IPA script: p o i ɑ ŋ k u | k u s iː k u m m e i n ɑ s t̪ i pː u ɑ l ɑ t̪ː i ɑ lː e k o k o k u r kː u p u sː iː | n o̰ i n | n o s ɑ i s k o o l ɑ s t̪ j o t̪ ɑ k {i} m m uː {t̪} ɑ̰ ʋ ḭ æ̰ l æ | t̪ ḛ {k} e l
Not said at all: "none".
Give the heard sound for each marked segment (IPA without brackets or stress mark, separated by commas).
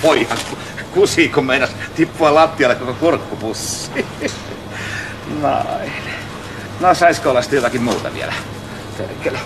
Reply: i, t̪, k